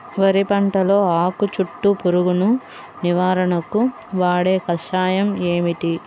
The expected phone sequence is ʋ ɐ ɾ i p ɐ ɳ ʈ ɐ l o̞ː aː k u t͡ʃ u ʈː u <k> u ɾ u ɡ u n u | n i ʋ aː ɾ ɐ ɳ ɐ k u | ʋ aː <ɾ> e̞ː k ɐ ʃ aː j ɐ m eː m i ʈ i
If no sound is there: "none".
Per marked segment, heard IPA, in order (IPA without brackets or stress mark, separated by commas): p, ɽ